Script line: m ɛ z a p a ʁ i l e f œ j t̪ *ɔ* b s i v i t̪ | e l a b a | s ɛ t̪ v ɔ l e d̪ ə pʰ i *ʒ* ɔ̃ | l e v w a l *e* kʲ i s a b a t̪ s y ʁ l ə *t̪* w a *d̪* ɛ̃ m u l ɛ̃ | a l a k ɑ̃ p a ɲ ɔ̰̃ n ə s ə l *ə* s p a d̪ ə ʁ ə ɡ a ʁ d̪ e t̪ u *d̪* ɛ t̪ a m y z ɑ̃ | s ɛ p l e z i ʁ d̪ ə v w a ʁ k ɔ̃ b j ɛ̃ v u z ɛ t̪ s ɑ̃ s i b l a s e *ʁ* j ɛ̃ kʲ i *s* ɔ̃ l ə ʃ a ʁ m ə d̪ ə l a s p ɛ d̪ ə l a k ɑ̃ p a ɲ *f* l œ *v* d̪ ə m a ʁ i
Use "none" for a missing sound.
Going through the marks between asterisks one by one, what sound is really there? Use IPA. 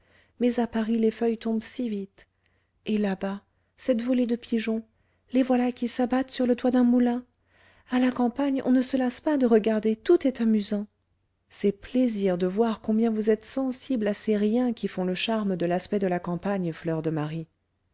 ɔ̃, ʒ, a, t̪, d̪, a, t̪, ʁ, f, f, ʁ

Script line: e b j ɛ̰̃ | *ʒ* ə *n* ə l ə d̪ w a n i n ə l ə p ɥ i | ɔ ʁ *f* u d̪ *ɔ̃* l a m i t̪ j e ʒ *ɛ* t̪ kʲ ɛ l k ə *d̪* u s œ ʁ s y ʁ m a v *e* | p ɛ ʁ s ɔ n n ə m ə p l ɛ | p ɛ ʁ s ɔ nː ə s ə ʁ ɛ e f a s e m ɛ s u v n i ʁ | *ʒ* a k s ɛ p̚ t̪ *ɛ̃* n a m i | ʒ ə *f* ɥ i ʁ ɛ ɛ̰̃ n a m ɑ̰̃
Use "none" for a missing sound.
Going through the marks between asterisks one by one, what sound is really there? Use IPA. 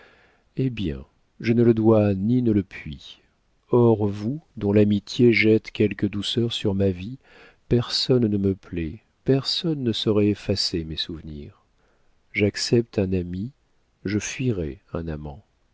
ʒ, n, v, ɔ̃, ɛ, d̪, i, ʒ, ɛ̃, f

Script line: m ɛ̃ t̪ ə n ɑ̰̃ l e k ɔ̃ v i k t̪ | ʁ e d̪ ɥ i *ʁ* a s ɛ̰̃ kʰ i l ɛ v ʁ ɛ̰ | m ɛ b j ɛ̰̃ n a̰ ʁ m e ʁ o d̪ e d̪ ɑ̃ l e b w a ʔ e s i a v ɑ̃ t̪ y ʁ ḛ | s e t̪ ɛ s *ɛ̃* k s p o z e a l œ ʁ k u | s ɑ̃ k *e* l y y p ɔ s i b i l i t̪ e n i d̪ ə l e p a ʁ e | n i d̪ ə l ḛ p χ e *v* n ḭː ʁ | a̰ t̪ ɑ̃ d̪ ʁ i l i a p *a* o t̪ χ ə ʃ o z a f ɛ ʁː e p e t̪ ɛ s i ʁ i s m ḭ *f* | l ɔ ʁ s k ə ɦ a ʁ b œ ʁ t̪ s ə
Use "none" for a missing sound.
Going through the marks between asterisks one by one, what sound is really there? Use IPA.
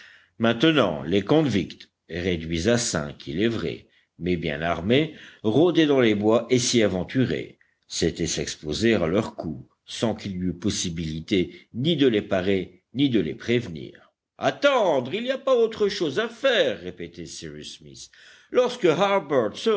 z, ɛ, i, v, a, s

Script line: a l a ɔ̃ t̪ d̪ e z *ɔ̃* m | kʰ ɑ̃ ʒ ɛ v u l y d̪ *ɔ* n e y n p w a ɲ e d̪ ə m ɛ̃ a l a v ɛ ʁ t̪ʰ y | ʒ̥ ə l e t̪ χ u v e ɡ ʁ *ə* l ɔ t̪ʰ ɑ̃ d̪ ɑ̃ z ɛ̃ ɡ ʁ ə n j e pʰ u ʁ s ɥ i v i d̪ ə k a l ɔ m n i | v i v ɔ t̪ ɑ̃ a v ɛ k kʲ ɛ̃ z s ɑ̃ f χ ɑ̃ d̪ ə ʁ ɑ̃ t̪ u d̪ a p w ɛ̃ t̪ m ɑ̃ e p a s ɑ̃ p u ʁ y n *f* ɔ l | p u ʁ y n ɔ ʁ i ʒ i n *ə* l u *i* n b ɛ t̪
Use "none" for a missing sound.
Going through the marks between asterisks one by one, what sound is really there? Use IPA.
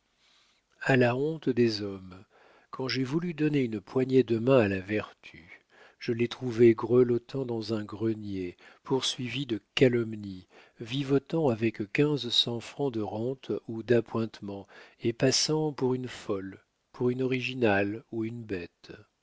ɔ, ɔ, ə, f, a, y

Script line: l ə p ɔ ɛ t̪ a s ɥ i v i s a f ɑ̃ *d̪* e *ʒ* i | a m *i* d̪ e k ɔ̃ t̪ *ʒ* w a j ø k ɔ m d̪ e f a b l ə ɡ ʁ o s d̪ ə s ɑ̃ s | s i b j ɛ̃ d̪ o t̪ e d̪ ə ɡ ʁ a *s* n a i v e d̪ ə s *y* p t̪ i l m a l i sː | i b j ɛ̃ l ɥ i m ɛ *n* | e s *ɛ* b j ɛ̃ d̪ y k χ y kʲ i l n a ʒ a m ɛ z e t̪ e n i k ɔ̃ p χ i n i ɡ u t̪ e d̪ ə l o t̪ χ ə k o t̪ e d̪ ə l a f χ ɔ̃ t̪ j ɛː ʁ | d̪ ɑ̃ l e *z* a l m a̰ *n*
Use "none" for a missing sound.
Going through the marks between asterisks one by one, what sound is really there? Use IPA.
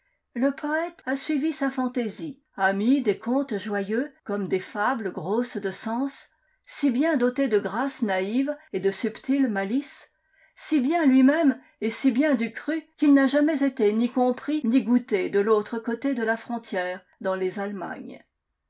t̪, z, i, ʒ, s, y, m, i, z, ɲ

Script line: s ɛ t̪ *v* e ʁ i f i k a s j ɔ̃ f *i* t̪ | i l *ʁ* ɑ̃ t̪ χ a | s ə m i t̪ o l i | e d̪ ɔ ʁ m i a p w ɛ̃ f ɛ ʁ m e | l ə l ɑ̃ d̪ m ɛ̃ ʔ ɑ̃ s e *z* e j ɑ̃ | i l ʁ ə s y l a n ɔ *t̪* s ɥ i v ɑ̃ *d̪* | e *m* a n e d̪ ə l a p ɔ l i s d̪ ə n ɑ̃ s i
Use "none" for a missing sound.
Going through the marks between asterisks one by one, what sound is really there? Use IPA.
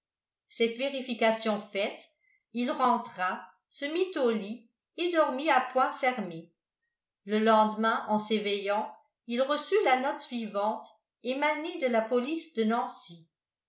v, ɛ, ʁ, v, t̪, t̪, m

